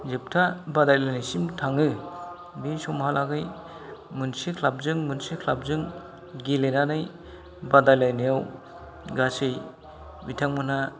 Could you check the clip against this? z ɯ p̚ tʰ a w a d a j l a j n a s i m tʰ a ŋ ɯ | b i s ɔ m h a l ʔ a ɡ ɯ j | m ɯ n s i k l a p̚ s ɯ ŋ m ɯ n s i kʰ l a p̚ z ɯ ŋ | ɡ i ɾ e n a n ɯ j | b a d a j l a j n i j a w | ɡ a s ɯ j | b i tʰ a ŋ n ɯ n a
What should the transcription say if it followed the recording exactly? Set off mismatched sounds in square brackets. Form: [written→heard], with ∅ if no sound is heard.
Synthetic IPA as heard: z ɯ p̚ tʰ a [w→b] a d a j l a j n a s i m tʰ a ŋ ɯ | b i s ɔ m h a l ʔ a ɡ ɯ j | m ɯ n s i [k→kʰ] l a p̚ [s→z] ɯ ŋ m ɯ n s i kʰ l a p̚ z ɯ ŋ | ɡ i [ɾ→l] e n a n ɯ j | b a d a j l a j n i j a w | ɡ a s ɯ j | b i tʰ a ŋ [n→m] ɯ n a